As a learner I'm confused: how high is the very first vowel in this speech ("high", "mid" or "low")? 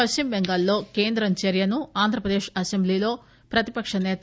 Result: low